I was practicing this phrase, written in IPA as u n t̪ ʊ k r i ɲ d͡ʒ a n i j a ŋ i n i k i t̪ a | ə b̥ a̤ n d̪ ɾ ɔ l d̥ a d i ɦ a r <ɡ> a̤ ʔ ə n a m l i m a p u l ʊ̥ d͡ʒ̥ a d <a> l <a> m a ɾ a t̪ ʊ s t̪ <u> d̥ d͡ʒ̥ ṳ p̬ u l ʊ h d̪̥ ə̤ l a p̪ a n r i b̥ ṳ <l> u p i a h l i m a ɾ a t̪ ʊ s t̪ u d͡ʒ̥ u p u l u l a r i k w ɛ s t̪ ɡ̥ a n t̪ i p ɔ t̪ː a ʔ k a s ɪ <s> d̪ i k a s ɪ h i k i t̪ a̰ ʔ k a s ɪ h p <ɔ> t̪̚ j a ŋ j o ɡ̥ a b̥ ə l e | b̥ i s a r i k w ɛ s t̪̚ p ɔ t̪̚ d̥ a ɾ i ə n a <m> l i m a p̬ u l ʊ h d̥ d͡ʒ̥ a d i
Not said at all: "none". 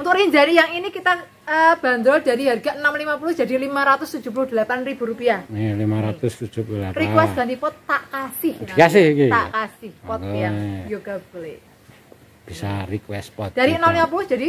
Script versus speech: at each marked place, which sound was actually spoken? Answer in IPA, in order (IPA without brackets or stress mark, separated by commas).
ɡ, i, i, u, ɾ, h, ɔ, m